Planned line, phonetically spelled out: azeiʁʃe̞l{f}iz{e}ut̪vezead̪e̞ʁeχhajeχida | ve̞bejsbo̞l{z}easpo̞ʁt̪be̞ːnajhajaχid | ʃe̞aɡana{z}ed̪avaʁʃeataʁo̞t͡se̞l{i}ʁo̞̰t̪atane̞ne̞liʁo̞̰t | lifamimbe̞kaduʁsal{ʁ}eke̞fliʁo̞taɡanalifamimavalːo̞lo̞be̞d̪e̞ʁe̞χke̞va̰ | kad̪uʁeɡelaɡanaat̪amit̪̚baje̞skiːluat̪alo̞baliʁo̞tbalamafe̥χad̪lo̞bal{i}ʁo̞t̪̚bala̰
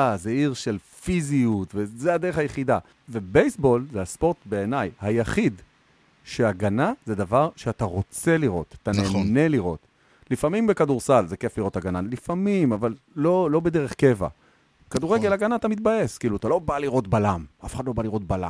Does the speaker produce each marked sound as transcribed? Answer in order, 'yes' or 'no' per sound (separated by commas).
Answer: yes, no, yes, yes, yes, no, yes